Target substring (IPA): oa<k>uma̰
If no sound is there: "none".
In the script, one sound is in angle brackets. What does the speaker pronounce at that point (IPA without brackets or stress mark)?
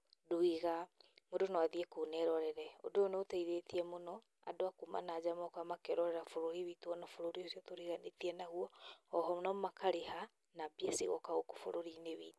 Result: k